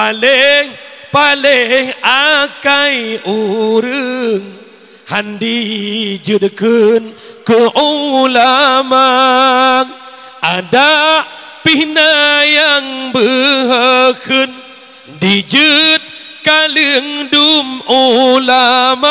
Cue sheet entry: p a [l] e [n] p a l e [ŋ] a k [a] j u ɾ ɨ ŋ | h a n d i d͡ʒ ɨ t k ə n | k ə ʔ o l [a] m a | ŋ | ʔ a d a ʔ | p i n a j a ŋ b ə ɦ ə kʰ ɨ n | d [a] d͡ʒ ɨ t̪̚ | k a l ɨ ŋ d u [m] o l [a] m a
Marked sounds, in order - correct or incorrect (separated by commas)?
correct, incorrect, correct, correct, correct, incorrect, correct, correct